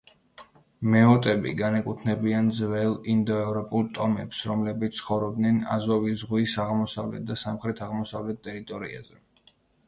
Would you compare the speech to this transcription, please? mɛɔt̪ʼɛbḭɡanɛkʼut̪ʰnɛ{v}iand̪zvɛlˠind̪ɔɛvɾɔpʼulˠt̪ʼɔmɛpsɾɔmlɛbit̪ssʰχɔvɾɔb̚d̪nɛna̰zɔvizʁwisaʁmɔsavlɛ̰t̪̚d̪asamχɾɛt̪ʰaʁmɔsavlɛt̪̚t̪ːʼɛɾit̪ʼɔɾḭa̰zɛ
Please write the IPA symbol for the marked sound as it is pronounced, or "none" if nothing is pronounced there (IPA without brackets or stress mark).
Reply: b